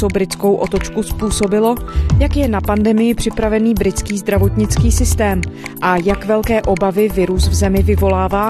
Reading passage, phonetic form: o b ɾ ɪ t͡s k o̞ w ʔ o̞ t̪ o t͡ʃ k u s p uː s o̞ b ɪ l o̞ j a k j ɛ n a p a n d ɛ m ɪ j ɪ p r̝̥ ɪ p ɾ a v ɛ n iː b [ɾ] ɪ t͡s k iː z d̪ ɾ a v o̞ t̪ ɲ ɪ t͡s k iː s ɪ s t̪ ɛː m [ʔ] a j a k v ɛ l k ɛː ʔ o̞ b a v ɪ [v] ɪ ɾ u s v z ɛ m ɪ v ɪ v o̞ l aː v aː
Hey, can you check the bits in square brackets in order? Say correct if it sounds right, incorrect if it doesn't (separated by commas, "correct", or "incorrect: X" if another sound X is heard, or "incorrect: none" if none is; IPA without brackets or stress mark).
correct, correct, correct